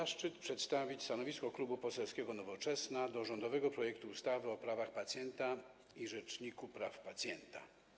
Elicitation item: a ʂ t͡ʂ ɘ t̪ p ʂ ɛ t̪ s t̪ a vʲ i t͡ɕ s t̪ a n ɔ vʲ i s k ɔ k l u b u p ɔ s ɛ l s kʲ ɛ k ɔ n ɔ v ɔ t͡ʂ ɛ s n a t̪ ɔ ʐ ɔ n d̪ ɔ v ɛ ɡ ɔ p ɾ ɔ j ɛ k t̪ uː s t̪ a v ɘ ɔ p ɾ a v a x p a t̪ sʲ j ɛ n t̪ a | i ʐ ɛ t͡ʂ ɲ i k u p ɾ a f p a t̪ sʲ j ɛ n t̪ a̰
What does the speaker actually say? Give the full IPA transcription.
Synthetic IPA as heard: a ʂ t͡ʂ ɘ t̪ p ʂ ɛ t̪ s t̪ a vʲ i t͡ɕ s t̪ a n ɔ vʲ i s k ɔ k l u b u p ɔ s ɛ l s kʲ ɛ ɡ ɔ n ɔ v ɔ t͡ʂ ɛ s n a d̪ ɔ ʐ ɔ n d̪ ɔ v ɛ ɡ ɔ p ɾ ɔ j ɛ k t̪ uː s t̪ a v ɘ ɔ p ɾ a v a x p a t̪ sʲ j ɛ n t̪ a | i ʐ ɛ t͡ʂ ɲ i k u p ɾ a f p a t̪ sʲ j ɛ n t̪ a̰